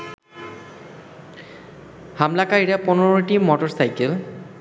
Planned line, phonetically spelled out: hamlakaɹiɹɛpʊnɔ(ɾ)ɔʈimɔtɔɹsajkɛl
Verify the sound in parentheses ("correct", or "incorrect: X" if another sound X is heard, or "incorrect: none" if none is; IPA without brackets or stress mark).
incorrect: ɹ